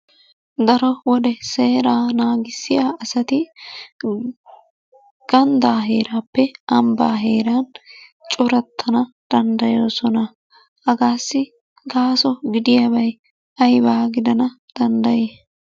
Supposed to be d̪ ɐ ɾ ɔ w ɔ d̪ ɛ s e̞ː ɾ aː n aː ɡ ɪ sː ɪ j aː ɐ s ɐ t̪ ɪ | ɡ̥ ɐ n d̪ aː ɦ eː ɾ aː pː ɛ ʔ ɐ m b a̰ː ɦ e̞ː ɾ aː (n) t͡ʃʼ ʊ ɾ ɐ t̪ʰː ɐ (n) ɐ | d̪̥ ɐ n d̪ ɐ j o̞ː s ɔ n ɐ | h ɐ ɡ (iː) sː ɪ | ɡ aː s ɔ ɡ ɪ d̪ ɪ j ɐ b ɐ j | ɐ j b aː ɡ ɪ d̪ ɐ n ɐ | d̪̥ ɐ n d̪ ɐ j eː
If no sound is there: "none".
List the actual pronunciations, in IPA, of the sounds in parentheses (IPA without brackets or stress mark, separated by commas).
n, n, aː